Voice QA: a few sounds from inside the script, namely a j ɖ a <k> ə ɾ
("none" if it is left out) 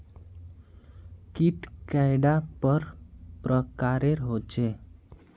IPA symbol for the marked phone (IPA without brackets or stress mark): p